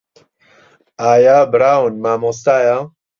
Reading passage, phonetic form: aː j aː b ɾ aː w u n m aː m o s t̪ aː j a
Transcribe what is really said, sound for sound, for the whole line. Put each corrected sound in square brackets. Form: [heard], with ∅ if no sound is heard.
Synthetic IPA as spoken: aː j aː b ɾ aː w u n m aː m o s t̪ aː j a